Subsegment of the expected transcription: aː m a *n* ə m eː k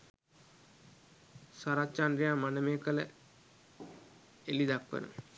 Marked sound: correct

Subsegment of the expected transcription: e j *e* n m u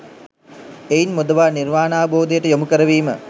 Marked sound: incorrect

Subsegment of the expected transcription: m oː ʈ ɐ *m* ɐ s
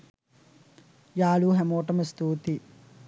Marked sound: correct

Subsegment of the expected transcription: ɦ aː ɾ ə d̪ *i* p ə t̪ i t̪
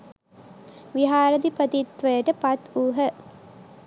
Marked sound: correct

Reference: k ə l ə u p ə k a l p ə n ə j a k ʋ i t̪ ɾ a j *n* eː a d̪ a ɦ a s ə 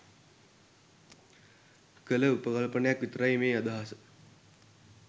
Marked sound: incorrect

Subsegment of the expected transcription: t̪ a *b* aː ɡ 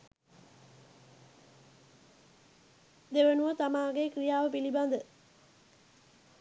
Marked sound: incorrect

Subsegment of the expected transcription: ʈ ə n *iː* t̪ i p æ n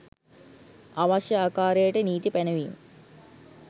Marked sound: correct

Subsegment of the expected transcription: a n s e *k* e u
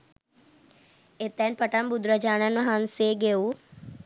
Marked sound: incorrect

